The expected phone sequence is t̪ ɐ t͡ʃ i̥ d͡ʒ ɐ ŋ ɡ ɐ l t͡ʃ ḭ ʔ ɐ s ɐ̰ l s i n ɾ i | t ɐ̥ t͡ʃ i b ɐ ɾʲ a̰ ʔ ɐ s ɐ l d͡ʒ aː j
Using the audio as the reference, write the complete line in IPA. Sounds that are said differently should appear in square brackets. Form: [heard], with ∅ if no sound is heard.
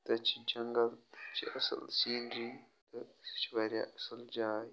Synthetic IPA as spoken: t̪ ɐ t͡ʃ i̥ d͡ʒ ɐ ŋ ɡ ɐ l t͡ʃ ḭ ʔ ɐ s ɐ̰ l s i n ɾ i | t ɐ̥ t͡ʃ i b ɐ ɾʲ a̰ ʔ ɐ s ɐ l d͡ʒ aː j